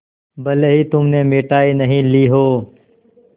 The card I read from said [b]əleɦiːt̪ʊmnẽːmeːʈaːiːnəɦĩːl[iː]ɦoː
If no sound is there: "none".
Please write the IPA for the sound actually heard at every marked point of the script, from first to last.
b, iː

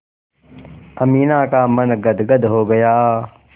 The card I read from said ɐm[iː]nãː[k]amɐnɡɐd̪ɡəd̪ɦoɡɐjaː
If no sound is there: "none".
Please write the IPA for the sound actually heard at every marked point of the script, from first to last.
iː, k

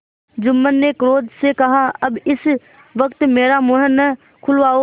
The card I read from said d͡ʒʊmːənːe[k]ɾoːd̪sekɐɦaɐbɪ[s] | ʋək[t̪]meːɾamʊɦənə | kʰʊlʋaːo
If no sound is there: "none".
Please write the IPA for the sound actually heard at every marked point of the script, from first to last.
k, s, t̪

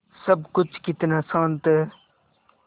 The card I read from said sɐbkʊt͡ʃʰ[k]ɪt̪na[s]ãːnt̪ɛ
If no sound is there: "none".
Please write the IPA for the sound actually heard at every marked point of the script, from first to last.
k, s

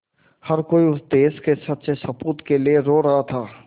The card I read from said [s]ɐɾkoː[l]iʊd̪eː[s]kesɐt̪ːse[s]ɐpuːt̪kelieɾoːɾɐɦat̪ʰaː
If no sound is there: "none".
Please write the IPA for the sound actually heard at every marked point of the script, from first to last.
h, none, s, s

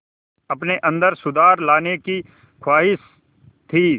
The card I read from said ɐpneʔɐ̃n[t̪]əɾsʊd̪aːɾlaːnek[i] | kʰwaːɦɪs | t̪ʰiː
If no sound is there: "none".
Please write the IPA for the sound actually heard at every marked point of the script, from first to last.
d̪, i

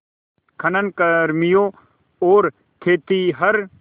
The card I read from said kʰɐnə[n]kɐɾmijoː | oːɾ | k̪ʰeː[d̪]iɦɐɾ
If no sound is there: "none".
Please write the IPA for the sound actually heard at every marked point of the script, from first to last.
n, t̪

